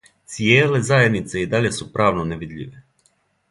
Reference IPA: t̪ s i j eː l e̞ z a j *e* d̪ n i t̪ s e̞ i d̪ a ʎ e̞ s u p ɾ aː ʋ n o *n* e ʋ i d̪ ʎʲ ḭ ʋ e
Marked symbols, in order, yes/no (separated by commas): yes, yes